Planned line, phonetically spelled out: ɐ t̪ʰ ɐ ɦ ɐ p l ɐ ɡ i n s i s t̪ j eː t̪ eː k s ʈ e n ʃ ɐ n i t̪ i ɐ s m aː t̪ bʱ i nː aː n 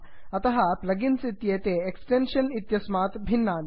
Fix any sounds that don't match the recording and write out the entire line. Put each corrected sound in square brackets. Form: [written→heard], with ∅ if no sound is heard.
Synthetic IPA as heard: ɐ [t̪ʰ→t̪] ɐ ɦ ɐ p l ɐ ɡ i n s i [s→∅] t̪ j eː t̪ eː k s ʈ e n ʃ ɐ n i t̪ [i→j] ɐ s m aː t̪ bʱ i nː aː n